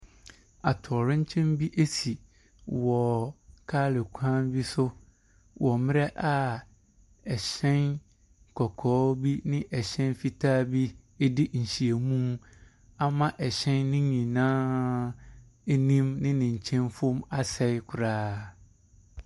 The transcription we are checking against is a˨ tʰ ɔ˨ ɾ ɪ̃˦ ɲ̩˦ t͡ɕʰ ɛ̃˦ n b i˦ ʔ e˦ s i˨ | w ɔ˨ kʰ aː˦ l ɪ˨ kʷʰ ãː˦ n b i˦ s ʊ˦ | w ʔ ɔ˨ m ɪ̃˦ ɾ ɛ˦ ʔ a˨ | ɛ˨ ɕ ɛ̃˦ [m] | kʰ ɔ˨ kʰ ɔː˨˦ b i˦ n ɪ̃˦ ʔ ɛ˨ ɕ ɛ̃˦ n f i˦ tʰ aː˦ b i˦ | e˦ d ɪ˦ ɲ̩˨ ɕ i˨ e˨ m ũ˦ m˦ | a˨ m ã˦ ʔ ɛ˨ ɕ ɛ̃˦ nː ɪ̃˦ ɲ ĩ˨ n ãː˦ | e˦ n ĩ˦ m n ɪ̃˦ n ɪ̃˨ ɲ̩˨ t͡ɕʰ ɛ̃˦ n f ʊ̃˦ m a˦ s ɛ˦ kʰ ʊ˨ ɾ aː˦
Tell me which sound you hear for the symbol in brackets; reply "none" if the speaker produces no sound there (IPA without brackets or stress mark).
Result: n